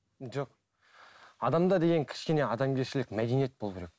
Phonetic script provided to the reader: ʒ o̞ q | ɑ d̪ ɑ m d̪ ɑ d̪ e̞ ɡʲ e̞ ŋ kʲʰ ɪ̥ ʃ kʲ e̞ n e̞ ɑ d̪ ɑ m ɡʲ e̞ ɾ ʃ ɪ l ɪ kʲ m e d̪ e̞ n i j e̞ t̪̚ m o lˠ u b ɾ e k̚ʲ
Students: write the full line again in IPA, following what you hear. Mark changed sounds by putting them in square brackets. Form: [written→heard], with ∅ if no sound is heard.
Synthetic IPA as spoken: ʒ o̞ q | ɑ d̪ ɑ m d̪ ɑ d̪ e̞ ɡʲ e̞ ŋ kʲʰ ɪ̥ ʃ kʲ e̞ n e̞ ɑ d̪ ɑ m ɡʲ e̞ ɾ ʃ ɪ l ɪ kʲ m [e→æ] d̪ e̞ n i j e̞ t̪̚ [m→b] o lˠ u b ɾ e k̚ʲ